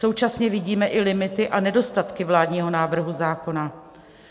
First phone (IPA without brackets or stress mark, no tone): o̞